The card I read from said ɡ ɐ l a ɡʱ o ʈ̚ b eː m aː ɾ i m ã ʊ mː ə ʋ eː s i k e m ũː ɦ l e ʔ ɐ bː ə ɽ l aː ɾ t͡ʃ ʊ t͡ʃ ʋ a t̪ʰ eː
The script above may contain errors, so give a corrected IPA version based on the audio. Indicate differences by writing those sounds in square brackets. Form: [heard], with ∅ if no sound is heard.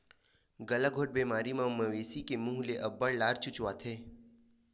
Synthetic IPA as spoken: ɡ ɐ l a ɡʱ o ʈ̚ b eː m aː ɾ i m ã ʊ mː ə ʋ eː s i k e m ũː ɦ l e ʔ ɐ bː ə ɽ l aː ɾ t͡ʃ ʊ t͡ʃ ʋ a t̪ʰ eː